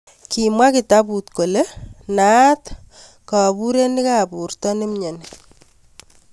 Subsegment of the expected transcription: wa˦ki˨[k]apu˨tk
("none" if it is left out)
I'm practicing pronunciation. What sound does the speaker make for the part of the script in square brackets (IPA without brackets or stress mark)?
t